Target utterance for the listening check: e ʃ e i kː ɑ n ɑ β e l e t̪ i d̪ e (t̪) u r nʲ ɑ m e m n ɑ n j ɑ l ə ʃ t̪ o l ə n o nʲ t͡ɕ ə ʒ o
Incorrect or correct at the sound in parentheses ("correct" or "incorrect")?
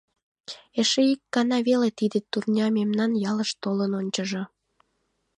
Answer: correct